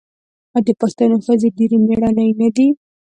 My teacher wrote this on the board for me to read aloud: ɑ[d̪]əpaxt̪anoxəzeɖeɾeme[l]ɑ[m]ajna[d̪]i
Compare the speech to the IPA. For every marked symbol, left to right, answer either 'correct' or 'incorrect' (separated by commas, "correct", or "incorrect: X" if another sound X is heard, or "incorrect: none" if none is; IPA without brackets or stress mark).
correct, incorrect: ɽ, incorrect: n, correct